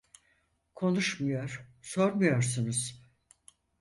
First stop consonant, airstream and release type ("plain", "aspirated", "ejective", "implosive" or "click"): aspirated